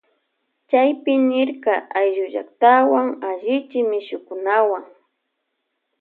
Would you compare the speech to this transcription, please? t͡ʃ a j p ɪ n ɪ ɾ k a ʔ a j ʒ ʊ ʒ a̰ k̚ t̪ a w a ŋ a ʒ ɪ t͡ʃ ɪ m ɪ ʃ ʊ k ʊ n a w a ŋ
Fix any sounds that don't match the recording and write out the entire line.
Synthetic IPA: t͡ʃ a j p ɪ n ɪ ɾ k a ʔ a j ʒ ʊ ʒ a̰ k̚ t̪ a w a ŋ a ʒ ɪ t͡ʃ ɪ m ɪ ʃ ʊ k ʊ n a w a ŋ

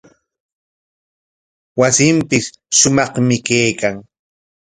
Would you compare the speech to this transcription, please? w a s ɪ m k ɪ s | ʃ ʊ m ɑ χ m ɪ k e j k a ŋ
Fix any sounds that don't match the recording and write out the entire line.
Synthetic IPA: w a s ɪ m p ɪ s | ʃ ʊ m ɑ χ m ɪ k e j k a ŋ

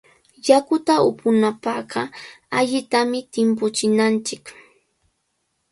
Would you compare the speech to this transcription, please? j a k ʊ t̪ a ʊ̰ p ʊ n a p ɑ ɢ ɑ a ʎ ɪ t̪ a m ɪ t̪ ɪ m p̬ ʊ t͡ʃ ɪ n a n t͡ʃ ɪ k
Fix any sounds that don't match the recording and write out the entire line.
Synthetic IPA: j a k ʊ t̪ a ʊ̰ p ʊ n a p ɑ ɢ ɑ a ʎ ɪ t̪ a m ɪ t̪ ɪ m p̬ ʊ t͡ʃ ɪ n a n t͡ʃ ɪ k

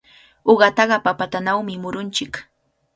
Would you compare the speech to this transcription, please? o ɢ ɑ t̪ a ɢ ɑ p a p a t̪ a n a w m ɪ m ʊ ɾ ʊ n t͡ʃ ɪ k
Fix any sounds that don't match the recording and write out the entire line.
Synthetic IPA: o ɢ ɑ t̪ ɑ ɢ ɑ p a p a t̪ a n a w m ɪ m ʊ ɾ ʊ n t͡ʃ ɪ k

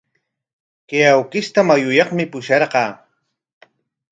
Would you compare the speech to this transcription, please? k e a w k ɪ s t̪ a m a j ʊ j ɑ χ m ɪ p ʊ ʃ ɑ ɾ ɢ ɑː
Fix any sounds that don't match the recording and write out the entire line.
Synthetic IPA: k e a w k ɪ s t̪ a m a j ʊ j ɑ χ m ɪ p ʊ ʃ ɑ ɾ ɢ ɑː

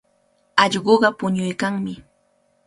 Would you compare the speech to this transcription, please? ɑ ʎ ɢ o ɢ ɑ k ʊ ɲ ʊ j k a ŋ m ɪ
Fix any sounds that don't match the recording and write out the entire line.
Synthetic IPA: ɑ ʎ ɢ o ɢ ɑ p ʊ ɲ ʊ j k a ŋ m ɪ

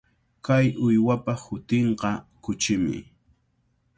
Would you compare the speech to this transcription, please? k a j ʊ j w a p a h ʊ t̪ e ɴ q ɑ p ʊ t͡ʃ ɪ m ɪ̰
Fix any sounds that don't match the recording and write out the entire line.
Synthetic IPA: k a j ʊ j w a p a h ʊ t̪ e ɴ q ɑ k ʊ t͡ʃ ɪ m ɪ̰

